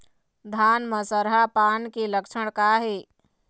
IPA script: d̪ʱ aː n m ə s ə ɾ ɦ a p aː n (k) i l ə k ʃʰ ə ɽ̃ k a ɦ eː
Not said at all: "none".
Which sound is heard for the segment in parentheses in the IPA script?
k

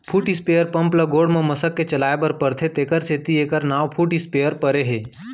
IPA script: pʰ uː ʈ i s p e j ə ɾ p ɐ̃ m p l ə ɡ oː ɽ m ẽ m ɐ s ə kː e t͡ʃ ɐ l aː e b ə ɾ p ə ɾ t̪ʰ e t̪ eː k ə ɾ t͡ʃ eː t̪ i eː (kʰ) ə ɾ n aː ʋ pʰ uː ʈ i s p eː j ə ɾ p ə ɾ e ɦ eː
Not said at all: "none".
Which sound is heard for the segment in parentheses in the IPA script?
k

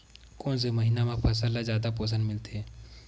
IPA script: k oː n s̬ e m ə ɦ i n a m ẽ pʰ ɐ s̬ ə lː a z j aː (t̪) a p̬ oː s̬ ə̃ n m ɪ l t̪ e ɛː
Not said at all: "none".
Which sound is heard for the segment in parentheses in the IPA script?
d̪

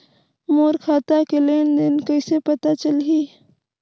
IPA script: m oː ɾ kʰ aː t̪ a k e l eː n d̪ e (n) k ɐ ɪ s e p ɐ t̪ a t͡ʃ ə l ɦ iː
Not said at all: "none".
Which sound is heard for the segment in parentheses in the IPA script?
n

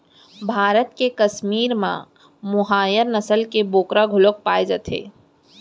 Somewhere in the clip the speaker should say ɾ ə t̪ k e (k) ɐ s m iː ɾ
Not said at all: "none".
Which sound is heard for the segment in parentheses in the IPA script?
k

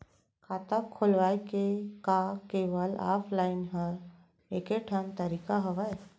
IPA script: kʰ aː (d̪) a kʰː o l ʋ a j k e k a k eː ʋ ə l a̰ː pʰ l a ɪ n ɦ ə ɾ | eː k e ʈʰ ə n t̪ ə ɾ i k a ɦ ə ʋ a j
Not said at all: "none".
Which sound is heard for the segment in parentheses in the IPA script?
t̪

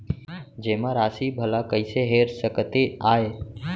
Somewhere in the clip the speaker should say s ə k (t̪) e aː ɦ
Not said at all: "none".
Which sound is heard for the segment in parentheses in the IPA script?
t̪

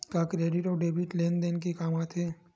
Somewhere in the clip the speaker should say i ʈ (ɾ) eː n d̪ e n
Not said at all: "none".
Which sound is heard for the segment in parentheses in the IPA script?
l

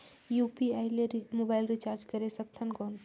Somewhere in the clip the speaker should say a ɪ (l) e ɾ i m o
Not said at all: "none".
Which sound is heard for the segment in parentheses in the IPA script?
l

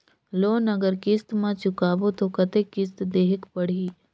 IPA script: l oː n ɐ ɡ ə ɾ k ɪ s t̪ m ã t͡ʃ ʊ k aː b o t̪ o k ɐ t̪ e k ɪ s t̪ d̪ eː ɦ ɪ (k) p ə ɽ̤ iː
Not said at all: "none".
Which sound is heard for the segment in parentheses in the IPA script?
k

